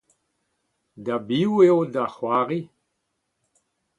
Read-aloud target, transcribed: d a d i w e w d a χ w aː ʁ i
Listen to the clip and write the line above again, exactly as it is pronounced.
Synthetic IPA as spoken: d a b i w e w d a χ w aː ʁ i